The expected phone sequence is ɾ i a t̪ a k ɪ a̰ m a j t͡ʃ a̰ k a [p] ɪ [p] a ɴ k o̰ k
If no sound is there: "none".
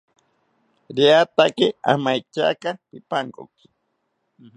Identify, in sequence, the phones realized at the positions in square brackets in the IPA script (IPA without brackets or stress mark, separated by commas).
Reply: p, p